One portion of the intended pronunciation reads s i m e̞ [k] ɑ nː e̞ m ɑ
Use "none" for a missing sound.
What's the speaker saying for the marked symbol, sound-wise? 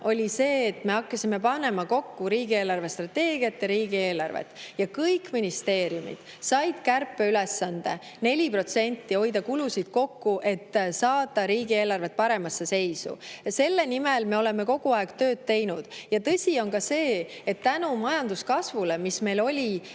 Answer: p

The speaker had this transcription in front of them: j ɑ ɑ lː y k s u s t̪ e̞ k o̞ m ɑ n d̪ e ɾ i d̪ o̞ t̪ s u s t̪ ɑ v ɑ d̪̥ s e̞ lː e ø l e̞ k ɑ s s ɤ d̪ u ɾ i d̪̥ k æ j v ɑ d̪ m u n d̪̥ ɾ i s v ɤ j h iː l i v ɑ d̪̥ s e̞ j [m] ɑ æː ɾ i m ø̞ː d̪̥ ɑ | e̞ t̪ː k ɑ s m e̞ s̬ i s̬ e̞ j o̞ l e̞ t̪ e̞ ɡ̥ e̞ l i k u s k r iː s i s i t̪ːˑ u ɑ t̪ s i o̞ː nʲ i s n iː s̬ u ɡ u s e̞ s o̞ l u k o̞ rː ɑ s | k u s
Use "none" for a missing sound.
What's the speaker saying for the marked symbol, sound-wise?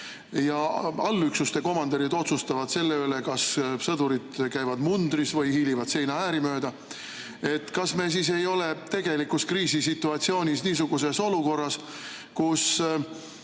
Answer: n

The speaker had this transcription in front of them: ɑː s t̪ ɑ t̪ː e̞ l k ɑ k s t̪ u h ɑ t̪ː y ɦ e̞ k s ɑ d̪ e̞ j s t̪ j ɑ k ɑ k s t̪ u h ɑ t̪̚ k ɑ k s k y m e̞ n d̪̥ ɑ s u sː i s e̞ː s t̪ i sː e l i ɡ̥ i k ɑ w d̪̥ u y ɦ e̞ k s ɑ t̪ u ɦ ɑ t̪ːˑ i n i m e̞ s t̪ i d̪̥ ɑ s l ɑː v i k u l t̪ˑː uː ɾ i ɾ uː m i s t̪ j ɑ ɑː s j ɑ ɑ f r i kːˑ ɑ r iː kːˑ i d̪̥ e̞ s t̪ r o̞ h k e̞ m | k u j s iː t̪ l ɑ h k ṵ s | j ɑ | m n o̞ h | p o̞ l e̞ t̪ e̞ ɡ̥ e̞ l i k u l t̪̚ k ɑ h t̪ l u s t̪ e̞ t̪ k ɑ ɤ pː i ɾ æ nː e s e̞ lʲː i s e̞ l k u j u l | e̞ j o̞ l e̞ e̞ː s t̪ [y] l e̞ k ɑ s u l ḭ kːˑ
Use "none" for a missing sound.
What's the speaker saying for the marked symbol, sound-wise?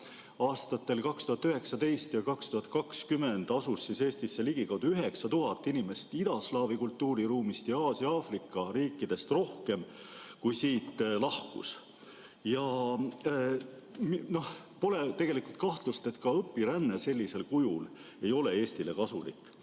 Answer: i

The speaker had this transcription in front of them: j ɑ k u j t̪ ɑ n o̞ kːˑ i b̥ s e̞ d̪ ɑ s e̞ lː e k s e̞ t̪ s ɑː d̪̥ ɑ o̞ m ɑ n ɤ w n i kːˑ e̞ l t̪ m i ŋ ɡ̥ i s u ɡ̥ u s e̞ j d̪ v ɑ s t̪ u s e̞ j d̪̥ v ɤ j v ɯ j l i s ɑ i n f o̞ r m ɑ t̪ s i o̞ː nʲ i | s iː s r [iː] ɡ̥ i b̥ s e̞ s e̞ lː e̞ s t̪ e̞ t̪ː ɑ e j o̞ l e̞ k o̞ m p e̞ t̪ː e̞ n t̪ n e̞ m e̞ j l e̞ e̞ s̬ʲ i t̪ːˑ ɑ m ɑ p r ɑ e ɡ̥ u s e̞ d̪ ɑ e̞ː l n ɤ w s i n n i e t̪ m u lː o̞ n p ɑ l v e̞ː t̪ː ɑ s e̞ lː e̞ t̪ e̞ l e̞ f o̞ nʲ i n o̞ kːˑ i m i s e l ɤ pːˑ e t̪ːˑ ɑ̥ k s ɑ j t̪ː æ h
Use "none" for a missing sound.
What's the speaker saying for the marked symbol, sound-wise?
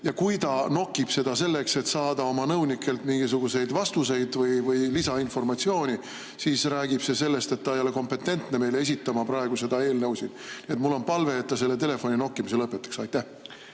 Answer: æː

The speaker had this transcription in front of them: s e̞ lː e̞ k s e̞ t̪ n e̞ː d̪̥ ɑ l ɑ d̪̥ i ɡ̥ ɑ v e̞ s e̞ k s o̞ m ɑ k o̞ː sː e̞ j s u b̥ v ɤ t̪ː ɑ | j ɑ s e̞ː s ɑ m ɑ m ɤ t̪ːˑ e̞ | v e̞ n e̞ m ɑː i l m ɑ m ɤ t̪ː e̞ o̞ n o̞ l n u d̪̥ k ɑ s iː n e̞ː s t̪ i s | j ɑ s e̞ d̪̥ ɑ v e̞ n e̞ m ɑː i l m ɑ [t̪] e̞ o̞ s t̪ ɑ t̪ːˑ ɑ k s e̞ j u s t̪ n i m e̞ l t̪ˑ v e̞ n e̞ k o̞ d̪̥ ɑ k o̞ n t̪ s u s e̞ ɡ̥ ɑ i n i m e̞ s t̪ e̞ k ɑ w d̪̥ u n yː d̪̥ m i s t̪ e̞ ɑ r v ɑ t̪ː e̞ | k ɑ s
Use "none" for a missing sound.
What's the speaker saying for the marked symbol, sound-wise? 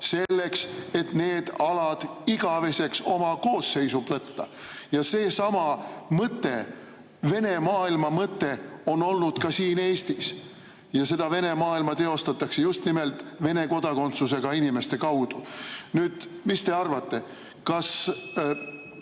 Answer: t̪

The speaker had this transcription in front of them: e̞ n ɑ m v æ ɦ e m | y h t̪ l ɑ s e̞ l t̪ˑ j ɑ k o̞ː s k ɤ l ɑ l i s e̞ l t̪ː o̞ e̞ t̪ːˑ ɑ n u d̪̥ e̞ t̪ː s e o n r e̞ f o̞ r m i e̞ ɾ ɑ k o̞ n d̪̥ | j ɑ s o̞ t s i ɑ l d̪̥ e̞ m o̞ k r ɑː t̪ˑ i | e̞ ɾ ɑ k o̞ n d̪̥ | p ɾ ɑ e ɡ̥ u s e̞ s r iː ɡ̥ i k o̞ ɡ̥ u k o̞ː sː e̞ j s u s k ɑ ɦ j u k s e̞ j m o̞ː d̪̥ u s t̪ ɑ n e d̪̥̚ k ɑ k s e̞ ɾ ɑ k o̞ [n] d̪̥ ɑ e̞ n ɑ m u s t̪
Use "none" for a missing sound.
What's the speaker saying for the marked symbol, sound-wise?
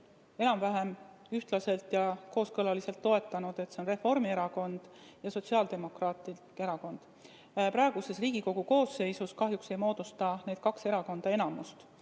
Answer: n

